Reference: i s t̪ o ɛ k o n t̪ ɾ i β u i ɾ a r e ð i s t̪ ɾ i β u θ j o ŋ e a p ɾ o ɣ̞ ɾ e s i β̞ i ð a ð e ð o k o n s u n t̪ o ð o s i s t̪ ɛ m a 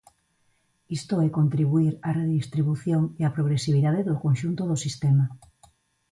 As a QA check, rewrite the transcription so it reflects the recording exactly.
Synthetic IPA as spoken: i s t̪ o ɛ k o n t̪ ɾ i β u i ɾ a r e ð i s t̪ ɾ i β u θ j o ŋ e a p ɾ o ɣ̞ ɾ e s i β̞ i ð a ð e ð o k o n ʃ u n t̪ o ð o s i s t̪ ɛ m a